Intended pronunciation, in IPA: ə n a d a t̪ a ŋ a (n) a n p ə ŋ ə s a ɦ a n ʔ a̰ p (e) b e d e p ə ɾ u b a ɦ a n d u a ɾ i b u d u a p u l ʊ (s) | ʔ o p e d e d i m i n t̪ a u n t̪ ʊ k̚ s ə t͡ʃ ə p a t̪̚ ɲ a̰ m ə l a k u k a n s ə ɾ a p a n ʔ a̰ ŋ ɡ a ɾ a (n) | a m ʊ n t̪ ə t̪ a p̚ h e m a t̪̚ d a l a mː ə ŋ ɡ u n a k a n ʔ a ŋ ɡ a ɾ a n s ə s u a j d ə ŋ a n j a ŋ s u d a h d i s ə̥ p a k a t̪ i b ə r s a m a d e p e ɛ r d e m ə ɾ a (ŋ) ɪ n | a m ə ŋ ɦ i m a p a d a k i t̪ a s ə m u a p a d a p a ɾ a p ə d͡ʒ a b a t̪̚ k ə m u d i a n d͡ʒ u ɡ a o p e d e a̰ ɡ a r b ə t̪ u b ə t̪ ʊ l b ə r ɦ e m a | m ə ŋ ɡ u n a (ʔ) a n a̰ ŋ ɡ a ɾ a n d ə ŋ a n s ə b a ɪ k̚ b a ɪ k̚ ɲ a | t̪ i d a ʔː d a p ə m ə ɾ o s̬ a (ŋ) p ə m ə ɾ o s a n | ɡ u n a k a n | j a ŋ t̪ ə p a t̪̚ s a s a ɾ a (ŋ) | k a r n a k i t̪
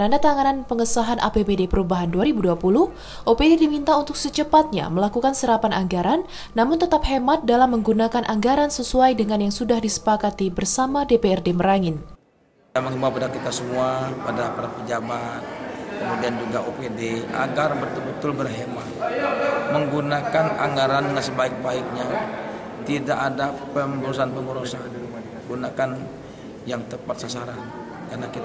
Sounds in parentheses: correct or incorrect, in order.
correct, correct, incorrect: h, incorrect: nː, correct, incorrect: k, incorrect: n, incorrect: n

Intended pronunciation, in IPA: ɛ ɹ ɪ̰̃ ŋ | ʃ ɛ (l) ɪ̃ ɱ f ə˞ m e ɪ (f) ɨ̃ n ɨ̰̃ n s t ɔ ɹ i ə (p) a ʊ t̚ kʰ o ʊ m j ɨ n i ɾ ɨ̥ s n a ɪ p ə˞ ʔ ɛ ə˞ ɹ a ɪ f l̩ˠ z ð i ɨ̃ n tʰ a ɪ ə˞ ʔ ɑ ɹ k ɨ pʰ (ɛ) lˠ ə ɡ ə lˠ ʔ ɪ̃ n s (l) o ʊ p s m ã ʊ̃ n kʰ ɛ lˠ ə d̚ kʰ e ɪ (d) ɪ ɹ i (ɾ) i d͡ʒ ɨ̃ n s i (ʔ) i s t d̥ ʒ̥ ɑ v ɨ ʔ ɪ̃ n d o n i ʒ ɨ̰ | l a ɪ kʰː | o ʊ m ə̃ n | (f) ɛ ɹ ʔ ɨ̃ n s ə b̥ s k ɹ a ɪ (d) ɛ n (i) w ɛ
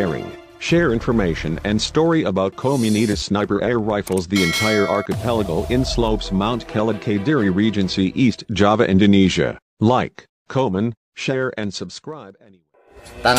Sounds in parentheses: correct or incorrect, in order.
incorrect: ɹ, incorrect: ʃ, incorrect: b, correct, correct, correct, incorrect: ɹ, correct, incorrect: ʃ, incorrect: b, correct

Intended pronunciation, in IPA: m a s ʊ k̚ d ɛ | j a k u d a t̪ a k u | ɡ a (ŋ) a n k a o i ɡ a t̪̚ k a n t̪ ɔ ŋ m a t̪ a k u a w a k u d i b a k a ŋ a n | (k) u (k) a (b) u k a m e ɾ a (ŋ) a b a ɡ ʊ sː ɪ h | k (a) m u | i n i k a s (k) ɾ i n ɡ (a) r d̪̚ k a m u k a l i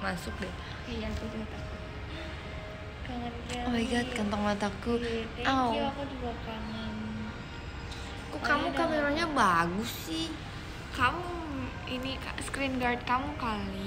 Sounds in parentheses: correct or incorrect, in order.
correct, correct, correct, incorrect: m, incorrect: ɲ, correct, correct, correct

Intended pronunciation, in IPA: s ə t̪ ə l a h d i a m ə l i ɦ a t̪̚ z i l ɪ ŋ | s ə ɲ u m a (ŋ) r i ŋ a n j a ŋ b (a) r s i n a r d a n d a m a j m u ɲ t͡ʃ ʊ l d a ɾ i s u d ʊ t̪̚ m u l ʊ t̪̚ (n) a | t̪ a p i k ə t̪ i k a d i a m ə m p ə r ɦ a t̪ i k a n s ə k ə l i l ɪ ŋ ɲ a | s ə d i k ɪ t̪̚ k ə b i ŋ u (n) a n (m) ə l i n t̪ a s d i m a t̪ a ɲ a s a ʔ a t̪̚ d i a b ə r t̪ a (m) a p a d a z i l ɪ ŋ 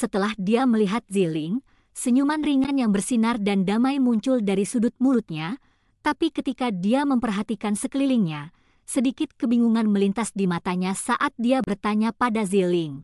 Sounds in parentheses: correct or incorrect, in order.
incorrect: n, incorrect: ə, incorrect: ɲ, incorrect: ŋ, correct, incorrect: ɲ

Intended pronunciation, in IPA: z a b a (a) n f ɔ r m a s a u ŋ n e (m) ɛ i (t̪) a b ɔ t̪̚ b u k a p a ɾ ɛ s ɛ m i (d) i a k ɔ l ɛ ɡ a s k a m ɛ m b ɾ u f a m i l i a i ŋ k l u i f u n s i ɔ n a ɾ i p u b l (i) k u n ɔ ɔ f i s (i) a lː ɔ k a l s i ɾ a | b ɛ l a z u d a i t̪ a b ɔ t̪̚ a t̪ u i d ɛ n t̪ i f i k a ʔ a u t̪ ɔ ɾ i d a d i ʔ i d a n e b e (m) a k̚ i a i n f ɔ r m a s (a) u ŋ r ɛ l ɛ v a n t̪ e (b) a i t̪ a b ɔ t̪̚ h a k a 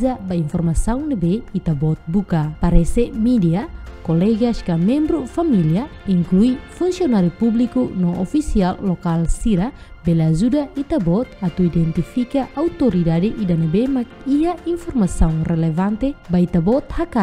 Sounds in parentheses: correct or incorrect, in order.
incorrect: i, incorrect: b, correct, correct, correct, correct, correct, correct, correct

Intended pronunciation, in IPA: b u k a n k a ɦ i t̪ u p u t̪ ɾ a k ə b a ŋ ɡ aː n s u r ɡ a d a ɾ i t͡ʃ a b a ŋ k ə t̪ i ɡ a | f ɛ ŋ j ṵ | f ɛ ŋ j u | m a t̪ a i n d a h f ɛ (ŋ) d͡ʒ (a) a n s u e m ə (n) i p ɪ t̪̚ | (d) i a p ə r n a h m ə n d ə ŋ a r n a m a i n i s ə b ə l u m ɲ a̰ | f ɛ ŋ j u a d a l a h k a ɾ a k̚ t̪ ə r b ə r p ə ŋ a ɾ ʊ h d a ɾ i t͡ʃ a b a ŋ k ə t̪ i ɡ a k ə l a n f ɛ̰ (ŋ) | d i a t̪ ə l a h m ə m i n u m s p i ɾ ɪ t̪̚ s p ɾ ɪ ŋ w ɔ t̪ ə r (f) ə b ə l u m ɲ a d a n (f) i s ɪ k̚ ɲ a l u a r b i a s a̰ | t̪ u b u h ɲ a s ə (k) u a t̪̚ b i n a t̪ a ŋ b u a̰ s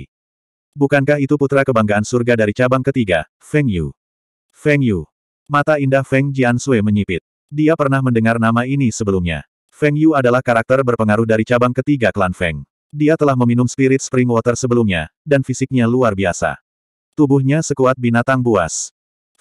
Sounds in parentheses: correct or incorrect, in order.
correct, incorrect: i, incorrect: ɲ, correct, correct, incorrect: s, correct, correct

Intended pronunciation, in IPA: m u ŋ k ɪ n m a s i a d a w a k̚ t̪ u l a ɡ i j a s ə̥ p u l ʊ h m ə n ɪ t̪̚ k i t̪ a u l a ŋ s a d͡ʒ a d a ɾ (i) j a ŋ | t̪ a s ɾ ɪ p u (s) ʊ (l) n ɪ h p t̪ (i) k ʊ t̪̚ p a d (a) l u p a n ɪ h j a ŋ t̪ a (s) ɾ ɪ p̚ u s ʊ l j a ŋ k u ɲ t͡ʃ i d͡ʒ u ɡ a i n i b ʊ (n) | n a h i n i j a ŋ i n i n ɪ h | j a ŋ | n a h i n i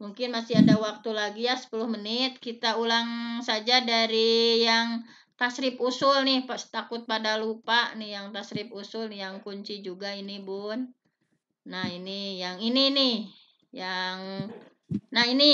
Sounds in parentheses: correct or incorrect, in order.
correct, correct, correct, incorrect: a, correct, correct, correct

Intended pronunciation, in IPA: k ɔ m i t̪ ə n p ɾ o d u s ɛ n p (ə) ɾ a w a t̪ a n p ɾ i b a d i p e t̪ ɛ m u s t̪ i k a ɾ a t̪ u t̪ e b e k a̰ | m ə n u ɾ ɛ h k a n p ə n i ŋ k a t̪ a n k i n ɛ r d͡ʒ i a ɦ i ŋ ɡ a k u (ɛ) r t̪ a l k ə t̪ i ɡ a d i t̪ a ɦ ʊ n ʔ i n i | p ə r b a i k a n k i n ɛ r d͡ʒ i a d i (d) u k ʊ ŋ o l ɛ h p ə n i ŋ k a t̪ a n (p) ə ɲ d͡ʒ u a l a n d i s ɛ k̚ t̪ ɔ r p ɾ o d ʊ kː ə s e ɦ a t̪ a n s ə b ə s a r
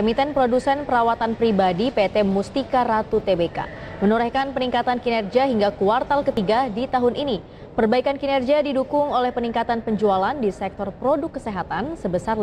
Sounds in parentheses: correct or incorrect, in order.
correct, incorrect: a, correct, correct

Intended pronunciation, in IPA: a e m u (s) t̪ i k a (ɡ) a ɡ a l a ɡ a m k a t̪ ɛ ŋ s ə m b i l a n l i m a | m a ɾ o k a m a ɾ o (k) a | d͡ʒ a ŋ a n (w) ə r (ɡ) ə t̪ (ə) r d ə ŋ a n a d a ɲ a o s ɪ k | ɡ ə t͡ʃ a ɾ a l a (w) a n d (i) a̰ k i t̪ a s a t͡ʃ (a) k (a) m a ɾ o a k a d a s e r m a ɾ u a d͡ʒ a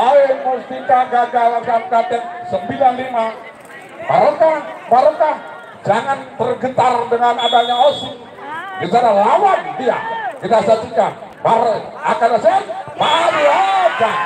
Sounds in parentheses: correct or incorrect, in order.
correct, correct, correct, incorrect: b, correct, incorrect: a, correct, correct, incorrect: i, correct

